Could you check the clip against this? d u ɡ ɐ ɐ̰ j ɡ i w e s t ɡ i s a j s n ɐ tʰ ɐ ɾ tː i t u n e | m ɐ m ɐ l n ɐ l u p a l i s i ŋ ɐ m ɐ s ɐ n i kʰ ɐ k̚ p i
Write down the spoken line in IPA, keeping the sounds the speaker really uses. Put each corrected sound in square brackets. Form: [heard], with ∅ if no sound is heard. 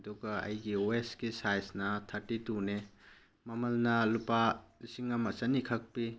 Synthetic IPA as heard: d u ɡ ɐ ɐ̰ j ɡ i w e s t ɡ i s a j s n ɐ tʰ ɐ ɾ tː i t u n e | m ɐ m ɐ l n ɐ l u p a l i s i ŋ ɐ m ɐ s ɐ n i kʰ ɐ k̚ p i